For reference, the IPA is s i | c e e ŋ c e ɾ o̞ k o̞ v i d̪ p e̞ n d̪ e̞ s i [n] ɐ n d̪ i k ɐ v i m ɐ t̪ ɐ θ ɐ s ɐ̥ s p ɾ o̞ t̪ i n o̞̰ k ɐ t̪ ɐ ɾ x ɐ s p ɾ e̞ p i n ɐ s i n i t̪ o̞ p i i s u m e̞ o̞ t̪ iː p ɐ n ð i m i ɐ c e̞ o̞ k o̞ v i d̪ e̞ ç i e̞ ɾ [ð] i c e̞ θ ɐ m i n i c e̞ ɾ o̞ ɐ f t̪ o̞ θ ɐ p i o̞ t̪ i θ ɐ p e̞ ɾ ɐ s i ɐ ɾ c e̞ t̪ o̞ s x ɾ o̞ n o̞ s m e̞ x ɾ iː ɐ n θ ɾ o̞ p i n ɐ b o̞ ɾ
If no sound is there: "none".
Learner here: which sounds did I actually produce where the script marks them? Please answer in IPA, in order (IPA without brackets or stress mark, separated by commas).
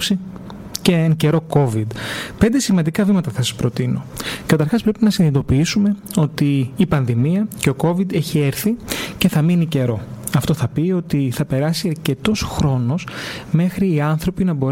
m, θ